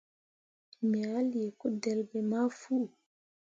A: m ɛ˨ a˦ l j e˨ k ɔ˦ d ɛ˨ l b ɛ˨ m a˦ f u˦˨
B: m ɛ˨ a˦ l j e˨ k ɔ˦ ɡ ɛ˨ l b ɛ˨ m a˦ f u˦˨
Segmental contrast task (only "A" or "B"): A